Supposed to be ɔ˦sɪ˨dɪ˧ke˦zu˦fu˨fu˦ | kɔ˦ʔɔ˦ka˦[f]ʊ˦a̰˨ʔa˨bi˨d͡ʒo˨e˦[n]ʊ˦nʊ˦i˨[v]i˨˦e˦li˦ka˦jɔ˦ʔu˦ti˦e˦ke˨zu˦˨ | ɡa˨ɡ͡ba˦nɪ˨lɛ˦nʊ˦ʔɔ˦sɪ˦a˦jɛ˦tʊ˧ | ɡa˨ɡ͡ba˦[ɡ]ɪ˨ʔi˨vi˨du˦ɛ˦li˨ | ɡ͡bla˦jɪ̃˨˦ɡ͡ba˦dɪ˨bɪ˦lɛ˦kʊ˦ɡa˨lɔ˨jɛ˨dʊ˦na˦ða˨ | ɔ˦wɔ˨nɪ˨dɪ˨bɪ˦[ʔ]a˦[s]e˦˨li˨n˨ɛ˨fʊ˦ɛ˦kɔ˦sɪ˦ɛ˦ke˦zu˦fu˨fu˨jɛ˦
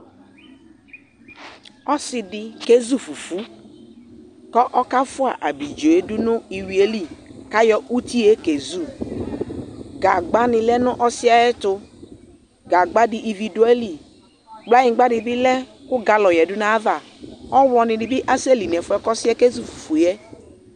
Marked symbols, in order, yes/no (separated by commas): yes, no, no, no, yes, yes